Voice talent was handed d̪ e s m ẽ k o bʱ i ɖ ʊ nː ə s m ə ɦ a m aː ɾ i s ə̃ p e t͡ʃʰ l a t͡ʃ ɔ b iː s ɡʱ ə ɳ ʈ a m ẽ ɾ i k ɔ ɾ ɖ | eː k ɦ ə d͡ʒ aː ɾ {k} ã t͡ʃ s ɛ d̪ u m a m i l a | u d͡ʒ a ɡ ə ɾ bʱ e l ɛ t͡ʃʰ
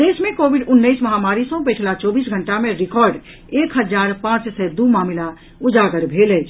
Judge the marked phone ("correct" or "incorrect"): incorrect